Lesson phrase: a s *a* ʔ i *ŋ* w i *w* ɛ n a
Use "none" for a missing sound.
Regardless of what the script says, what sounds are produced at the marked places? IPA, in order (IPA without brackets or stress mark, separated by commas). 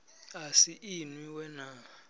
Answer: i, n, w